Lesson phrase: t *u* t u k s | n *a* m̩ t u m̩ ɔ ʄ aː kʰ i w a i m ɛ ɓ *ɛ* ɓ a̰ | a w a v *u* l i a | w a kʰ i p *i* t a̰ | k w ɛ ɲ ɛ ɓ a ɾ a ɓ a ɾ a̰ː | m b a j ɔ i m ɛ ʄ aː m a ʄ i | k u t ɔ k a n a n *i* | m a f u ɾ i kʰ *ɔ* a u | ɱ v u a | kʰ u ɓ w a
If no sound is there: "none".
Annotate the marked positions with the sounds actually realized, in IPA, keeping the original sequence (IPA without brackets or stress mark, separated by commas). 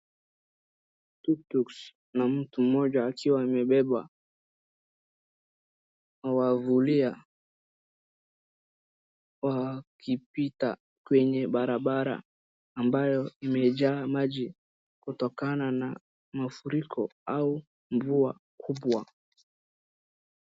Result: u, a, ɛ, u, i, a, ɔ